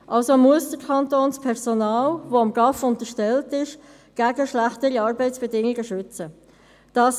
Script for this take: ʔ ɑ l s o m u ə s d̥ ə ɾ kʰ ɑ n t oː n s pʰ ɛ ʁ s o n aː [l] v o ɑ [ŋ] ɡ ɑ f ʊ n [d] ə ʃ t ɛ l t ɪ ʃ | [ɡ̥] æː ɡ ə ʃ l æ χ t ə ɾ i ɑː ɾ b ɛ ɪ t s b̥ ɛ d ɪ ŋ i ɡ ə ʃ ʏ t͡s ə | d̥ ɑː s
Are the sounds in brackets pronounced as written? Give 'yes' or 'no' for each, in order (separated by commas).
yes, no, no, yes